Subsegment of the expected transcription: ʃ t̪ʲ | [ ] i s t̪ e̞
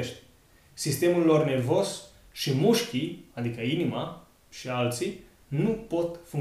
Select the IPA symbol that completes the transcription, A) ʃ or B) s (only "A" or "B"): B